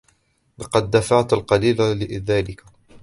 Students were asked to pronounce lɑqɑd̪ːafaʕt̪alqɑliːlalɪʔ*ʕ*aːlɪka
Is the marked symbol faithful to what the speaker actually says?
no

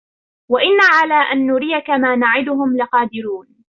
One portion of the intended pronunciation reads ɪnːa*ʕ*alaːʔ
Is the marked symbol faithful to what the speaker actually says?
yes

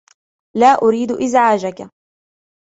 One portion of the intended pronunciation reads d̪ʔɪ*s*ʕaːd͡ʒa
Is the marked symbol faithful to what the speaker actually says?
no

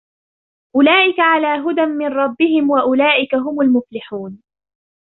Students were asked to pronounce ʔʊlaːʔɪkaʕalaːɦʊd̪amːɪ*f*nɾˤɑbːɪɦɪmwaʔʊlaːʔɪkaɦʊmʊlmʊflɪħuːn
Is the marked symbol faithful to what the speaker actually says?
no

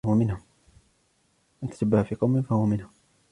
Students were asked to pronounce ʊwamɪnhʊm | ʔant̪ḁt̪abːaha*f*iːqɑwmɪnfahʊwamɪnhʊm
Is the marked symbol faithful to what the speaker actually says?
yes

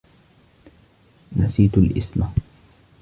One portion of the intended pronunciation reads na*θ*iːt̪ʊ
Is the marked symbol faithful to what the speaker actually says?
no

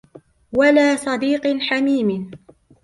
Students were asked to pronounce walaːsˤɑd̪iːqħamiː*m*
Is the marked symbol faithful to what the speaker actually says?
yes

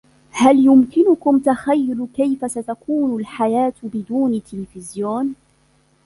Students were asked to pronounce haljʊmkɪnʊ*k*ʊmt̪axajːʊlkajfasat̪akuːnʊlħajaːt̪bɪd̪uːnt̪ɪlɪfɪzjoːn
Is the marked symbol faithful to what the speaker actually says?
yes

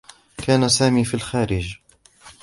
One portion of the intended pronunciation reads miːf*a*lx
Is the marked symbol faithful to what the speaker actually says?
no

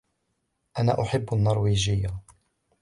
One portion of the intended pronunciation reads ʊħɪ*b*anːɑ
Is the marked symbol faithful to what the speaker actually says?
no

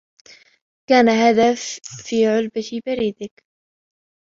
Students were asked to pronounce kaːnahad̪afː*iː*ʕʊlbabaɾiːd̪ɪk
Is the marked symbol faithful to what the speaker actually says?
yes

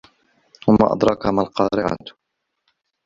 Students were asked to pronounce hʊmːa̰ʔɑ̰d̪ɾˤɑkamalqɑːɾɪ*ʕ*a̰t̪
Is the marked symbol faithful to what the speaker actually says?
yes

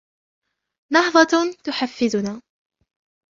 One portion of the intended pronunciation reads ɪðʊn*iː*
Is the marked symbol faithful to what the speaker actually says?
no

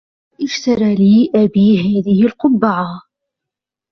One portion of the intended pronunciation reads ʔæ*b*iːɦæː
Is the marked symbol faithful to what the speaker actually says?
yes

